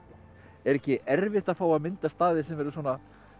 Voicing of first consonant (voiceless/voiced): voiced